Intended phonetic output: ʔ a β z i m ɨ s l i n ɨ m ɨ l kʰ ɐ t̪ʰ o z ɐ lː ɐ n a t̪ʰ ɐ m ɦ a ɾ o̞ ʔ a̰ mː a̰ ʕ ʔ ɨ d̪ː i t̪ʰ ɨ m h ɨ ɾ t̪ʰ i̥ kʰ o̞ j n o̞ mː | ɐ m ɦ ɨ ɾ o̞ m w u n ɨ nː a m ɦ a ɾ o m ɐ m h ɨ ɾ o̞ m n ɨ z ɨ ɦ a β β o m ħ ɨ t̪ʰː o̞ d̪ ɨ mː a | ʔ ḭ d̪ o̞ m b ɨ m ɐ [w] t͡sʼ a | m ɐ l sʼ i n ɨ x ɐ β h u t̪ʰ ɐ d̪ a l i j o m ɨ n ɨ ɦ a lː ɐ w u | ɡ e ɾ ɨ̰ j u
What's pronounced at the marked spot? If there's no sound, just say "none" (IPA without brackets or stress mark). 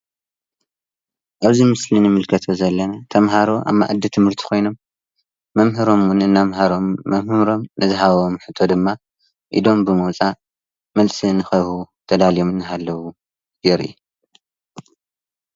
w